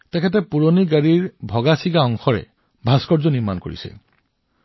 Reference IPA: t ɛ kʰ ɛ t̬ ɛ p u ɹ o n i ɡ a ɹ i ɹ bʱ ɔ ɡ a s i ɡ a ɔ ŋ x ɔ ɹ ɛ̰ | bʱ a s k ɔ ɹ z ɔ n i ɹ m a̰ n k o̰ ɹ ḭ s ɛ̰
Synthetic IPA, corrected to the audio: t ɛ kʰ ɛ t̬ ɛ p u ɹ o n i ɡ a ɹ i ɹ bʱ ɔ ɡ a s i ɡ a ɔ ŋ x ɔ ɹ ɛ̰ | bʱ a s k ɔ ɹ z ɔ n i ɹ m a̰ n k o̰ ɹ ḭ s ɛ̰